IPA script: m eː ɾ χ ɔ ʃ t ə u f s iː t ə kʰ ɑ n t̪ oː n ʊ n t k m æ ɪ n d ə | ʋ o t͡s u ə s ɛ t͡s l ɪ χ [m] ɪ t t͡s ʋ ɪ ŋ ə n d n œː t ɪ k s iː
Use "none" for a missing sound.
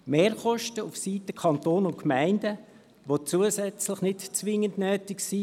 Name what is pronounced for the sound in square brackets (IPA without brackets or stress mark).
n